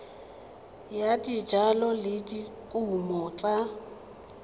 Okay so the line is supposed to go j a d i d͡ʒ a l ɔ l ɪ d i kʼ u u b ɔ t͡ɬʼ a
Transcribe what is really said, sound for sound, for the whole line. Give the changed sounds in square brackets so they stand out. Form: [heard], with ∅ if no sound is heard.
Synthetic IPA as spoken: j a d i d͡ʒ a l ɔ l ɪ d i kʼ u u [m] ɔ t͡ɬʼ a